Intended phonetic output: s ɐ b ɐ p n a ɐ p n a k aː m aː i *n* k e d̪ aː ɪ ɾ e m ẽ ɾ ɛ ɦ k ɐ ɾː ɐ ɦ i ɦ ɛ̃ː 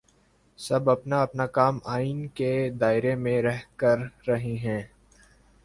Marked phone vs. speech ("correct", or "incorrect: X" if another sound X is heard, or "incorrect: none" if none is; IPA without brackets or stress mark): correct